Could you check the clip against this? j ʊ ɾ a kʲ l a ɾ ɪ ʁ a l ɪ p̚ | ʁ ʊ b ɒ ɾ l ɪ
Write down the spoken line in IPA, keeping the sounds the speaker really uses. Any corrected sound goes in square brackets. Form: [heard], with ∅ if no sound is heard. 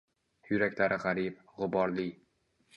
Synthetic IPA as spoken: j ʊ ɾ a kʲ l a ɾ ɪ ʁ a [ɾ] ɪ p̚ | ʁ ʊ b ɒ ɾ l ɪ